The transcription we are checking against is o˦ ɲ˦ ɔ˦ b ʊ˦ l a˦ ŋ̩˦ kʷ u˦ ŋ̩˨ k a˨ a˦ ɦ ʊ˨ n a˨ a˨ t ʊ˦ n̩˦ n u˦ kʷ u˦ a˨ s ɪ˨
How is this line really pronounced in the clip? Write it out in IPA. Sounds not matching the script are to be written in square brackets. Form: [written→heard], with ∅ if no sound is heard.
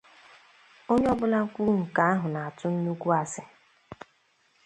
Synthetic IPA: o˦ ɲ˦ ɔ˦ b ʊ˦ l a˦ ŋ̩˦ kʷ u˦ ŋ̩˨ k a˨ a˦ ɦ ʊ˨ n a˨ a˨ t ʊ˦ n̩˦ n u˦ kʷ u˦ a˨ s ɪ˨